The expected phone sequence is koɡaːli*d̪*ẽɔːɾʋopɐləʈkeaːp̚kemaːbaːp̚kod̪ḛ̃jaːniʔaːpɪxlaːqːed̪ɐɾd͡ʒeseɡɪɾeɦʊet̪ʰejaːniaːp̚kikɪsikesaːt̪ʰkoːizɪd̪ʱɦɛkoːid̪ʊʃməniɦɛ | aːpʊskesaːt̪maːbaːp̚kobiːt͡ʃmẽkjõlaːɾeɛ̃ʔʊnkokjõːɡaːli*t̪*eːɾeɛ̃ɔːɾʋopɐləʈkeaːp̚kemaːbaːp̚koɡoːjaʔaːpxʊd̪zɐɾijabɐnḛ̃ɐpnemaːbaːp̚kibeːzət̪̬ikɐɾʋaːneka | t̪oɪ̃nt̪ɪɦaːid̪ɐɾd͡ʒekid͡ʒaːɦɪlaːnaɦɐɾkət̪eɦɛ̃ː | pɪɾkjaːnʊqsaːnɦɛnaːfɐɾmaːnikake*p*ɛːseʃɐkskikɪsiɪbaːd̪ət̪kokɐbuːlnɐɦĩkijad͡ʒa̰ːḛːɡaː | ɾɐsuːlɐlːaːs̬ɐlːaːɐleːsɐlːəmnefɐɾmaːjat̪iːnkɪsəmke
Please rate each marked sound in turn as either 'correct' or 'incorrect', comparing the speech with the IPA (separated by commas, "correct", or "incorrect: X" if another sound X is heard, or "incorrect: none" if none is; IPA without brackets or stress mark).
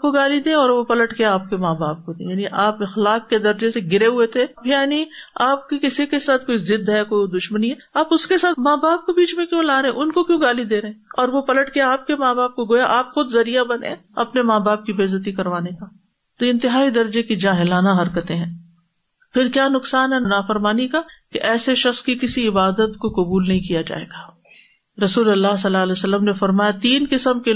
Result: correct, incorrect: d̪, incorrect: ʔ